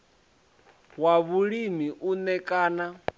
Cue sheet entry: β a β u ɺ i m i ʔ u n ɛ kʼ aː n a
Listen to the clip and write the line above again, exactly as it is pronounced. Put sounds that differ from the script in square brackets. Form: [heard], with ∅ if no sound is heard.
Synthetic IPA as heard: [w] a β u ɺ i m i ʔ u n ɛ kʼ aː n a